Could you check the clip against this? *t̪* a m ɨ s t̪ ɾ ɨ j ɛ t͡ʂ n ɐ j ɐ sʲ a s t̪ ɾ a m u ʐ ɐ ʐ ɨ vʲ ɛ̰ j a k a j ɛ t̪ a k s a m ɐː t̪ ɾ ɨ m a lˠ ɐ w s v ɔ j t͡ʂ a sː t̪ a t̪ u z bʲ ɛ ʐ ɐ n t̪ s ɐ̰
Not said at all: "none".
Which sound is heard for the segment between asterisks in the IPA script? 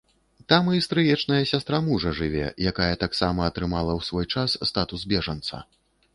t̪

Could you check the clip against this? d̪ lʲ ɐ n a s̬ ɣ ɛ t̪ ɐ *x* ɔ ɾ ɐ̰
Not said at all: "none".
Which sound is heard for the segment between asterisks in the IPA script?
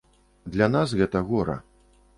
ɣ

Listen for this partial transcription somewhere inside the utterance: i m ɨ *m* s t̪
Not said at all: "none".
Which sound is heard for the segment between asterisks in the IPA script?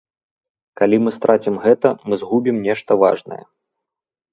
none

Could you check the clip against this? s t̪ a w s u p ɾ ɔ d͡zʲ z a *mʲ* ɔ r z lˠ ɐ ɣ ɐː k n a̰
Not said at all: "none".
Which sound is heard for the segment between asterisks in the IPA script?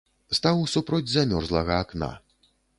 mʲ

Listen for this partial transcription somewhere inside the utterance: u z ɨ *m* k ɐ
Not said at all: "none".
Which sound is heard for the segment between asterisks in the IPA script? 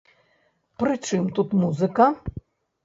none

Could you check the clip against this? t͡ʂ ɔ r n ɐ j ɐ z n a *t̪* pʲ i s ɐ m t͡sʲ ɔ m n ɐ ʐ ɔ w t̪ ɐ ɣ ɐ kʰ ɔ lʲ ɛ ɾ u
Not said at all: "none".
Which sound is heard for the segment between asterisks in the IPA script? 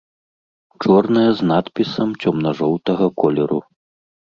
t̪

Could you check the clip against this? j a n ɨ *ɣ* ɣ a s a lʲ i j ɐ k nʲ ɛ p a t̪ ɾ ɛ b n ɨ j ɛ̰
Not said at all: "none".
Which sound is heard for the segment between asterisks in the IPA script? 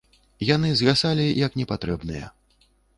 z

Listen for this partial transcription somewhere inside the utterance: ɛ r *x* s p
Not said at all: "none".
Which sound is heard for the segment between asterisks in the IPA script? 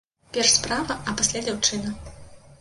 ʂ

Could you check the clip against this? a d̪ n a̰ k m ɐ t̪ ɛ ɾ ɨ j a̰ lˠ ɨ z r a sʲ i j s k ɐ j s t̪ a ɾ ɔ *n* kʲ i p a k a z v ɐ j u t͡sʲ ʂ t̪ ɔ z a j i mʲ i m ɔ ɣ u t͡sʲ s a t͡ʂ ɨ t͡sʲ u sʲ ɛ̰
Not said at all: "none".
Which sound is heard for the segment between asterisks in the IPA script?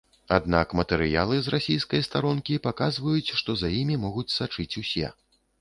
n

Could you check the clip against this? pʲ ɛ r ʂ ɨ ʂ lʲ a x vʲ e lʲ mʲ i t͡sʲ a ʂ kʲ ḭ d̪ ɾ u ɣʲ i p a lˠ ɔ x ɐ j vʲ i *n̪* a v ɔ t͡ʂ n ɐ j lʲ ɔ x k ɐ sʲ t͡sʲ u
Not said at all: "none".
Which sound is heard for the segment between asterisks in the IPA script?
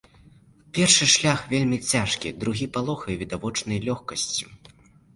d̪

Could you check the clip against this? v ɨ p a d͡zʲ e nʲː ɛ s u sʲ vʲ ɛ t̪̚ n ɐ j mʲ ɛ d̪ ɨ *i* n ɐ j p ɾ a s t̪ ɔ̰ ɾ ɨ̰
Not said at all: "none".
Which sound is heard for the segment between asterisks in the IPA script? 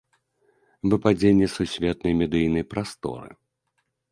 j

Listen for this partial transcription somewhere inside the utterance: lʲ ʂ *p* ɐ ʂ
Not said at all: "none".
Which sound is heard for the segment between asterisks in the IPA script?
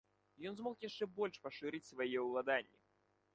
p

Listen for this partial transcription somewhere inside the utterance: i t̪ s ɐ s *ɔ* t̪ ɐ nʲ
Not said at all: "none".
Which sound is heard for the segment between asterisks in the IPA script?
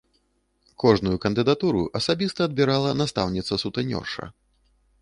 u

